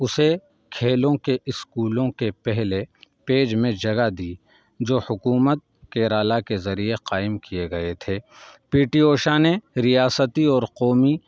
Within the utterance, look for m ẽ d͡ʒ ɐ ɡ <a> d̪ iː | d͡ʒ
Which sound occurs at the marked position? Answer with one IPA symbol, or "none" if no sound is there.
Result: a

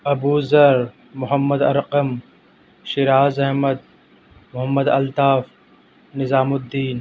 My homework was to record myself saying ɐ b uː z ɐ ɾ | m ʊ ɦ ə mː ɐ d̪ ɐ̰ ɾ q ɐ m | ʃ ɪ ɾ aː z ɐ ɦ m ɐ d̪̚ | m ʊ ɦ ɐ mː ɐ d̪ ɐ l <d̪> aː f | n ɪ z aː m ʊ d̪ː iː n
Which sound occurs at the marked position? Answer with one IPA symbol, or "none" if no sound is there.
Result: t̪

